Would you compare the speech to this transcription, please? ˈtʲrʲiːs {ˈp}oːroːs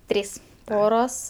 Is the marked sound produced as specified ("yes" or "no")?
yes